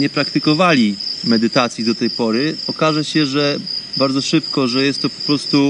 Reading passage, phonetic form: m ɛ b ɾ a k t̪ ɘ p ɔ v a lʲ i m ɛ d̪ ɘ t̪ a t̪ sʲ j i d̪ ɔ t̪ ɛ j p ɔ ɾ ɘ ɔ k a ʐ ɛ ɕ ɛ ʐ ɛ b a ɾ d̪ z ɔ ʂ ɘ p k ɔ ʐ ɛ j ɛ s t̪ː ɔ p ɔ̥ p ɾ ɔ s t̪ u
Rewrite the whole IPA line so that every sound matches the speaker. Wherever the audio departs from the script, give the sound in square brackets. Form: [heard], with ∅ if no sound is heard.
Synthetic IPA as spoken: [ɲ] ɛ [p] ɾ a k t̪ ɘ [k] ɔ v a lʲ i m ɛ d̪ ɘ t̪ a t̪ sʲ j i d̪ ɔ t̪ ɛ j p ɔ ɾ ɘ ɔ k a ʐ ɛ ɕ ɛ ʐ ɛ b a ɾ d̪ z ɔ ʂ ɘ p k ɔ ʐ ɛ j ɛ s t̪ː ɔ p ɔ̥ p ɾ ɔ s t̪ u